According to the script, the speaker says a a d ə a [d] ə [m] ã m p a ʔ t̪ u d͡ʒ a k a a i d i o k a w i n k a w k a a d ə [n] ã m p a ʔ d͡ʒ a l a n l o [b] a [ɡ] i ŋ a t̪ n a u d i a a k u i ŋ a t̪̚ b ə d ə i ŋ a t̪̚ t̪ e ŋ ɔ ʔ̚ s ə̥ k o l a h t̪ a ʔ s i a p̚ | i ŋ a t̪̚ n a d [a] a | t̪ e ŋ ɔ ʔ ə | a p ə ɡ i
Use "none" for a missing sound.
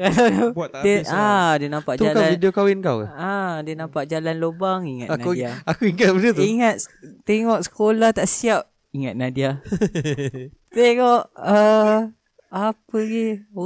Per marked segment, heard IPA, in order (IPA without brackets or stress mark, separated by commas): d, n, n, b, ŋ, i